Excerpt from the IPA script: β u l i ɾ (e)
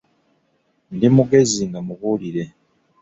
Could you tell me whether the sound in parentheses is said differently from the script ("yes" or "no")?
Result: no